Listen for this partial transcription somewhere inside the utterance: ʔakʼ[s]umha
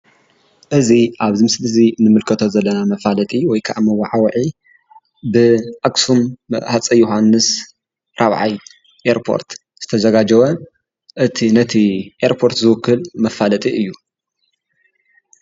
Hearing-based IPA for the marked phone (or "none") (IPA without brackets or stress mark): s